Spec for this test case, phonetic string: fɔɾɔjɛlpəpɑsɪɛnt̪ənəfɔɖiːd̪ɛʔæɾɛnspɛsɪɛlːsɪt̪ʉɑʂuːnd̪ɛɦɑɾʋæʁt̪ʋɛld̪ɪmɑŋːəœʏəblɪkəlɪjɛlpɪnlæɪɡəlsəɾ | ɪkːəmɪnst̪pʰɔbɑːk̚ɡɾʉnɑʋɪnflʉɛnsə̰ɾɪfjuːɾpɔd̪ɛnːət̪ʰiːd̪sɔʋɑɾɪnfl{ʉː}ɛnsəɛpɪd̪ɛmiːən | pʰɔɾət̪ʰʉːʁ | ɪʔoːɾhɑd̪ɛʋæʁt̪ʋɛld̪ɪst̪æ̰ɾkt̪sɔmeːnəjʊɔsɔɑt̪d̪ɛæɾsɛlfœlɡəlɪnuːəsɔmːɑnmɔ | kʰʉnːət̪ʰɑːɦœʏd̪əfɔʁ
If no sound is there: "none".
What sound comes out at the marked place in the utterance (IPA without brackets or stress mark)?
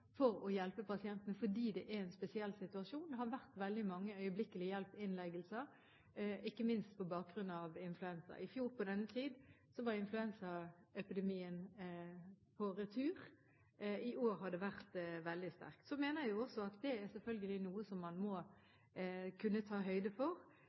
ʉ